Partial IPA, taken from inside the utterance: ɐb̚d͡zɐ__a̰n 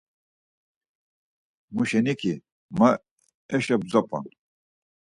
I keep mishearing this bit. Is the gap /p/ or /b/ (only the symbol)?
p